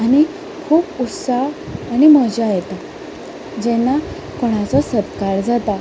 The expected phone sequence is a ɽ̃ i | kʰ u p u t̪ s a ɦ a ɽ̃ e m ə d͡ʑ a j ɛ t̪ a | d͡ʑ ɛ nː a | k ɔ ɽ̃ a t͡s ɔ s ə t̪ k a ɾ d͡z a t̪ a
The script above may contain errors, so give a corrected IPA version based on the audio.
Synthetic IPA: a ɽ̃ i | kʰ uː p u t̪ s a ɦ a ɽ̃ i m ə d͡ʑ a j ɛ t̪ a | d͡ʑ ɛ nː a | k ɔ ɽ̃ a t͡s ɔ s ə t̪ k a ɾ d͡z a t̪ a